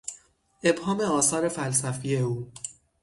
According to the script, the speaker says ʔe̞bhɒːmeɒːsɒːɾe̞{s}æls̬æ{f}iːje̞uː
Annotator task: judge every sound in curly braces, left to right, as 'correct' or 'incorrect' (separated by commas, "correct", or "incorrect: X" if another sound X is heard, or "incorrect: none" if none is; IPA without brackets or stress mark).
incorrect: f, correct